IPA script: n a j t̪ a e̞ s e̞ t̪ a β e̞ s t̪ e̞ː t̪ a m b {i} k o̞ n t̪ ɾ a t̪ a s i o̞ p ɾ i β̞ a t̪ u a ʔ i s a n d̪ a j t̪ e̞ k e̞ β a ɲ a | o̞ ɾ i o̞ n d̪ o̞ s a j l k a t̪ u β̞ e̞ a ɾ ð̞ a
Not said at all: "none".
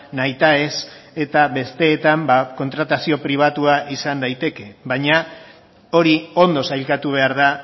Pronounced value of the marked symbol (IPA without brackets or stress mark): a